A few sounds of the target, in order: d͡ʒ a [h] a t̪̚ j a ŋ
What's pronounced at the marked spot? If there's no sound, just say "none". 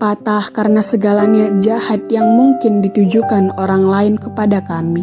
h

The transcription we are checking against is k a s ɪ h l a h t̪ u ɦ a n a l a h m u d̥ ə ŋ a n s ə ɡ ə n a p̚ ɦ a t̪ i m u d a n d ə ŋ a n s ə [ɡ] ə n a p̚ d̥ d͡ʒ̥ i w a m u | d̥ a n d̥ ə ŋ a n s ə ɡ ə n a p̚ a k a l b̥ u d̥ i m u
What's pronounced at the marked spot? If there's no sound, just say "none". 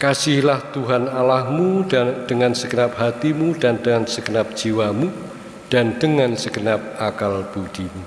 ɡ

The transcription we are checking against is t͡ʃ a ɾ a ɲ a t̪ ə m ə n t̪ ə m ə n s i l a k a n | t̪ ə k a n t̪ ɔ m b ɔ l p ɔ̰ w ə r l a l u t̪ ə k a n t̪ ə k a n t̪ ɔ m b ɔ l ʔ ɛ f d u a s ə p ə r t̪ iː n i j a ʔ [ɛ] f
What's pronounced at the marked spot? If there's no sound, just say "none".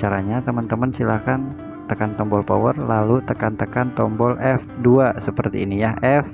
ɛ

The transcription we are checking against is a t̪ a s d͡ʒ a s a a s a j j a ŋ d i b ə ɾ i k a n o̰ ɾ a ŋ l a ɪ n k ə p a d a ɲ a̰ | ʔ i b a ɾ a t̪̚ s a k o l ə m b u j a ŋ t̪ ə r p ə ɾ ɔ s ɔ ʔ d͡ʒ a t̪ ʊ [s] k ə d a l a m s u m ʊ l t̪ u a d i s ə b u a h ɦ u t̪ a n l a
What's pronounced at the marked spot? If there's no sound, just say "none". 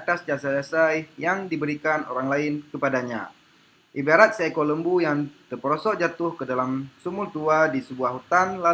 h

